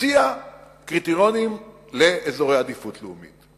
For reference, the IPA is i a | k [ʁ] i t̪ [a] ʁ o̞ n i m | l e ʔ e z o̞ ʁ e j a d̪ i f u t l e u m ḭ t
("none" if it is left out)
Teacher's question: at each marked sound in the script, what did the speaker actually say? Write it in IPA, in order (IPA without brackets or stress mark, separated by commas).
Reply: ʁ, i